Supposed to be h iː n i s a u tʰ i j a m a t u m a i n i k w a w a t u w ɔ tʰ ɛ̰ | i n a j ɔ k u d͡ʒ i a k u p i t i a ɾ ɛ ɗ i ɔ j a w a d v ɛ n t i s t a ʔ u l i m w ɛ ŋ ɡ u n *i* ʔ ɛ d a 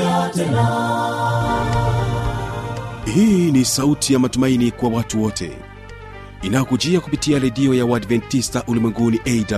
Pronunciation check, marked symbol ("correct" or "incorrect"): correct